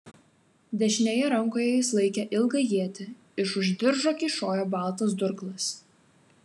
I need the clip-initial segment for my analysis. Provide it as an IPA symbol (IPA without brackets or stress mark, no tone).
d̪ʲ